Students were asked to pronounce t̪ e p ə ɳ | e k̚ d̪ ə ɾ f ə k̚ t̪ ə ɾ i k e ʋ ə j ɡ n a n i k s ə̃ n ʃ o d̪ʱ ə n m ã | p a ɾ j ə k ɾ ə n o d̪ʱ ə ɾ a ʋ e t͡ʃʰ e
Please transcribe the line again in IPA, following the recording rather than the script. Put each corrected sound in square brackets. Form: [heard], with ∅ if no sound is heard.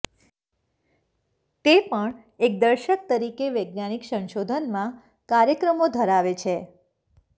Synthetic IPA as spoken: t̪ e p ə ɳ | e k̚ d̪ ə ɾ [ʃ] ə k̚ t̪ ə ɾ i k e ʋ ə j ɡ n a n i k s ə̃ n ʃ o d̪ʱ ə n m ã | [k] a ɾ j ə k ɾ ə [m] o d̪ʱ ə ɾ a ʋ e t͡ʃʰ e